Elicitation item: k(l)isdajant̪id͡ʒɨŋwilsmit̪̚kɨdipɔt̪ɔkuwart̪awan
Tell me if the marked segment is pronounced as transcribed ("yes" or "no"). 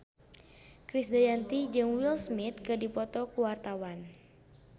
no